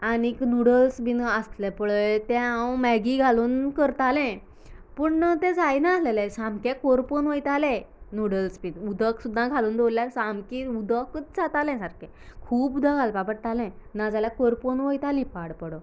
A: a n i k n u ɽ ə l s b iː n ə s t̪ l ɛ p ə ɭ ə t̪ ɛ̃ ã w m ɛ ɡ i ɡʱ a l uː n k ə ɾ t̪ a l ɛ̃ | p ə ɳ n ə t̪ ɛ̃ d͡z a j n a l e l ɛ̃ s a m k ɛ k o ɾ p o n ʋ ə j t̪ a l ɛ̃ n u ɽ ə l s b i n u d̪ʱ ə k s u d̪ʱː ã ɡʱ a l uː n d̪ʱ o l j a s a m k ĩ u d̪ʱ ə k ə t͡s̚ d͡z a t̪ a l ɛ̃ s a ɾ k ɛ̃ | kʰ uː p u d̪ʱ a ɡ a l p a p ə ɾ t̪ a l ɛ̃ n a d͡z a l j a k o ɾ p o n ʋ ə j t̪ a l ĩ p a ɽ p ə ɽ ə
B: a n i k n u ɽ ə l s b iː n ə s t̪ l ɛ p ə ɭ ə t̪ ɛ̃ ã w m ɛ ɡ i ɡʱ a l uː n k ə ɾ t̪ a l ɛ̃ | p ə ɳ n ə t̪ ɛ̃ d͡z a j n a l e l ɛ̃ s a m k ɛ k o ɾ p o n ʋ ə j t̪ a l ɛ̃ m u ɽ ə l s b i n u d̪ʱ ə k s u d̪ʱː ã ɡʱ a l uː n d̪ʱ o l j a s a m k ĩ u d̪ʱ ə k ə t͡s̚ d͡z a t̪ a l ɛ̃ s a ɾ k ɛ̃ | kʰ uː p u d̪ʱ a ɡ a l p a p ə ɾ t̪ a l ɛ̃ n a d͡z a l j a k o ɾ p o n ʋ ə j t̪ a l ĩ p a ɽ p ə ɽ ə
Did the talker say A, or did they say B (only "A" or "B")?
A